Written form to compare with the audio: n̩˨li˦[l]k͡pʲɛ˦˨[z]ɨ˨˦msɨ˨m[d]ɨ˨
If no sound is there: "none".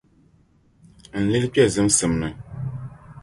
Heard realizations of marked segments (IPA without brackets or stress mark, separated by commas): l, z, n